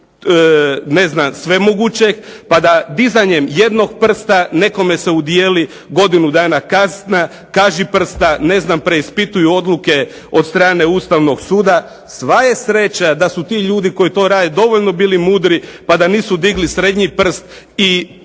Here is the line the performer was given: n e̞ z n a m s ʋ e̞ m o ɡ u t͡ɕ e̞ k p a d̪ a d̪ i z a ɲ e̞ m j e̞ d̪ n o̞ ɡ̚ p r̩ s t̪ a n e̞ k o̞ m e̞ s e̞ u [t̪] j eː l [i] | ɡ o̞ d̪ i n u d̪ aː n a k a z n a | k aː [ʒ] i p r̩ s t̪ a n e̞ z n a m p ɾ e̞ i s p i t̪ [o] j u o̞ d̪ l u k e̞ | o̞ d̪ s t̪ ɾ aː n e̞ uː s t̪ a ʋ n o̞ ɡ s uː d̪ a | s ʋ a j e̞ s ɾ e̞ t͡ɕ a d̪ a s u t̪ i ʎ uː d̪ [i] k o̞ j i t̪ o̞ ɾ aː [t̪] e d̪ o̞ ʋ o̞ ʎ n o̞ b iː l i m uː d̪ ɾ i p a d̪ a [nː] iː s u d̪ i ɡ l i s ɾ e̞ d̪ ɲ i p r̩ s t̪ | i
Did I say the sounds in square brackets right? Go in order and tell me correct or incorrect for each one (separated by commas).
incorrect, correct, correct, incorrect, correct, incorrect, incorrect